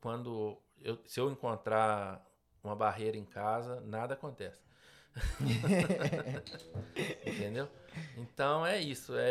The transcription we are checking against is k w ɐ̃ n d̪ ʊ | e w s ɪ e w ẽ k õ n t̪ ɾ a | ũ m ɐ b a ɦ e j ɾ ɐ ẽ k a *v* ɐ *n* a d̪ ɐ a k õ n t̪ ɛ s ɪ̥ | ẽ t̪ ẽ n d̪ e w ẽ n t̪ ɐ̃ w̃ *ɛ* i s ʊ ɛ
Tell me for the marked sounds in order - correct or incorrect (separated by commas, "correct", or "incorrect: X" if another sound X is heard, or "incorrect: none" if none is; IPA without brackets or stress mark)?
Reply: incorrect: z, correct, correct